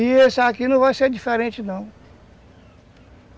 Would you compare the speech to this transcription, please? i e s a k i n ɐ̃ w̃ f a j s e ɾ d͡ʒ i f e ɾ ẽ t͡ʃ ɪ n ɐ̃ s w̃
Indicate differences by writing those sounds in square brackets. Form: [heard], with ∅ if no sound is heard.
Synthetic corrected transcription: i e s a k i n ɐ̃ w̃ [v] a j s e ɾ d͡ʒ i f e ɾ ẽ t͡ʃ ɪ n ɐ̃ [∅] w̃